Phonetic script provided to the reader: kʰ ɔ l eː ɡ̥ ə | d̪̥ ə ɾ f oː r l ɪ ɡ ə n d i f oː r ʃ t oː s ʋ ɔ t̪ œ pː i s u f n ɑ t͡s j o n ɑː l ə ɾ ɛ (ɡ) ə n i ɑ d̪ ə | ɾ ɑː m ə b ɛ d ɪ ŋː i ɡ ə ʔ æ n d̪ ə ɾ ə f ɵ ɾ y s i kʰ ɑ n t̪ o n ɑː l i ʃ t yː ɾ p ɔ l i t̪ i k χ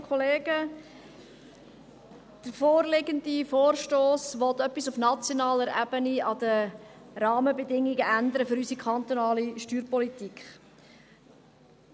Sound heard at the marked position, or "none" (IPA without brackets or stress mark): b